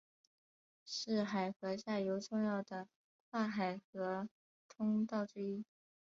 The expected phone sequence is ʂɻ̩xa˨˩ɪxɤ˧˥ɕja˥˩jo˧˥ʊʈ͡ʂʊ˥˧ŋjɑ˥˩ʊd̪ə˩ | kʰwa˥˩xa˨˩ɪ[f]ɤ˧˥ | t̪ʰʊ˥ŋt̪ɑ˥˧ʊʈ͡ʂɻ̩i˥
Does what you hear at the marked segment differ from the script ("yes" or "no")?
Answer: yes